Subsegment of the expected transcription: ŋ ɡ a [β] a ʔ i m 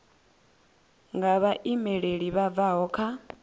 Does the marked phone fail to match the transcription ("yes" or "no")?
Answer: no